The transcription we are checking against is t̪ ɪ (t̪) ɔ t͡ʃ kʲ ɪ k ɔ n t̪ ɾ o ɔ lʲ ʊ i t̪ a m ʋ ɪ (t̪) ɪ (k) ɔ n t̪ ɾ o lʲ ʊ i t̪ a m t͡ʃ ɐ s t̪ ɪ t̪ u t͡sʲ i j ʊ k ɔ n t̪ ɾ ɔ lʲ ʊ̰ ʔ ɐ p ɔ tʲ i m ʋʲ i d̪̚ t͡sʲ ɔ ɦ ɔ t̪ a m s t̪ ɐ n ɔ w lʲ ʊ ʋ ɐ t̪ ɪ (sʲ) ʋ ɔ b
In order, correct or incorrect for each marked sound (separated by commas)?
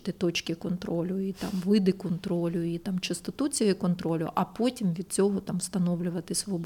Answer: correct, incorrect, correct, correct